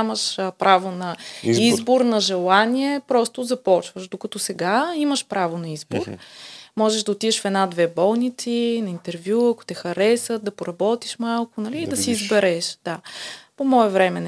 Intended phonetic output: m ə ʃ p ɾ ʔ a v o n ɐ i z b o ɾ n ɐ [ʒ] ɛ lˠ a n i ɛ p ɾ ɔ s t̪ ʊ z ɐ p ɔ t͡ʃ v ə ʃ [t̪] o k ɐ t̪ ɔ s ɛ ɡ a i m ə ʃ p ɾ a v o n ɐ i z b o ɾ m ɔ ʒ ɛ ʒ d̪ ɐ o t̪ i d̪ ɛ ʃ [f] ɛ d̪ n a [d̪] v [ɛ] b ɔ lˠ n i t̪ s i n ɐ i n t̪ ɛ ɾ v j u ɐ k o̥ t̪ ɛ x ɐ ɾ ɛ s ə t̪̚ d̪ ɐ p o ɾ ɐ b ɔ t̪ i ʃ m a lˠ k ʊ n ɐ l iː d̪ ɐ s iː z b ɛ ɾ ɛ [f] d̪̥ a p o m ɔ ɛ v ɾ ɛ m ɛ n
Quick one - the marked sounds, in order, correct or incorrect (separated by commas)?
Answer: correct, incorrect, correct, correct, correct, incorrect